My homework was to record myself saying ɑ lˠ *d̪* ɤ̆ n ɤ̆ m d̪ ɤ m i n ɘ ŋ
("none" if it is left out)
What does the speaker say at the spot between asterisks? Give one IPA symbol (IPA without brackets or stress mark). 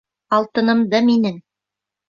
t̪